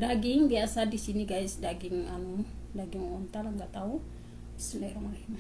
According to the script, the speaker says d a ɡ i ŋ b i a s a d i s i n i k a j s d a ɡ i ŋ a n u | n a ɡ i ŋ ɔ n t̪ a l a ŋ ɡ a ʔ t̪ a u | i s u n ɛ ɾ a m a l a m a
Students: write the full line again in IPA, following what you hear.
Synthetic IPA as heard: d a ɡ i ŋ b i a s a d i s i n i ɡ a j s d a ɡ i ŋ a n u | d a ɡ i ŋ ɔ n t̪ a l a ŋ ɡ a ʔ t̪ a u | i s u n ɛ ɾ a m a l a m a